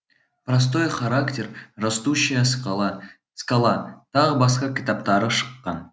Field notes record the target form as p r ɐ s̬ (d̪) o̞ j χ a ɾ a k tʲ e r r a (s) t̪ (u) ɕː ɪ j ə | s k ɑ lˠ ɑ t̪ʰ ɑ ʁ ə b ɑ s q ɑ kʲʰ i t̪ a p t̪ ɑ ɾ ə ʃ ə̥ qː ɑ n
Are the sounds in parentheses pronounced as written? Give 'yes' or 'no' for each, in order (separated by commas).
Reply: no, yes, yes